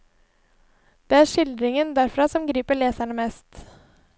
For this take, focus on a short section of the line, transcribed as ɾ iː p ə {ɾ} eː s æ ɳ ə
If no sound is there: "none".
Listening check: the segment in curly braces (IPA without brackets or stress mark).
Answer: ɭ